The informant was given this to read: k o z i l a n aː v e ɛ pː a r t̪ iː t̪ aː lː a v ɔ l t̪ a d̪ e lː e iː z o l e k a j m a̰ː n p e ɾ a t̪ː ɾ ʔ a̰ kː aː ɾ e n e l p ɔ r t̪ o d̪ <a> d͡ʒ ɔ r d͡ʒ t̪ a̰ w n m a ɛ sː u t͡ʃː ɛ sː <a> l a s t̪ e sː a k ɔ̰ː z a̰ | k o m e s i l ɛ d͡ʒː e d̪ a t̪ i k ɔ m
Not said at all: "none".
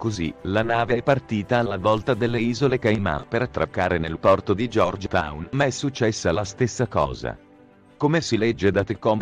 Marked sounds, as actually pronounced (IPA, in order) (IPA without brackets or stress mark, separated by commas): i, a